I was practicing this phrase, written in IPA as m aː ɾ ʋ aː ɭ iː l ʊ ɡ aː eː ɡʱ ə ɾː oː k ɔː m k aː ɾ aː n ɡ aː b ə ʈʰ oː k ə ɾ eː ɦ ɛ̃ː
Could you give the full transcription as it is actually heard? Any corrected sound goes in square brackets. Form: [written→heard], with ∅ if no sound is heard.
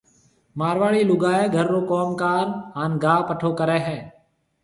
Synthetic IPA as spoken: m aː ɾ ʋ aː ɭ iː l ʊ ɡ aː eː ɡʱ ə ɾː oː k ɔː m k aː ɾ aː n ɡ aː [b→p] ə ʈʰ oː k ə ɾ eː ɦ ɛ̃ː